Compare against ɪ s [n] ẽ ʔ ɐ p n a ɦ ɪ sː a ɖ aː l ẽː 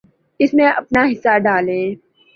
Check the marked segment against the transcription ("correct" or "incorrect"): incorrect